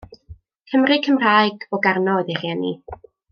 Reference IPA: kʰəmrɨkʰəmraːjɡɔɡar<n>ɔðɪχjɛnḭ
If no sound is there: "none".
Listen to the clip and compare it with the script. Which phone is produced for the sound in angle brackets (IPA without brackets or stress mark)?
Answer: n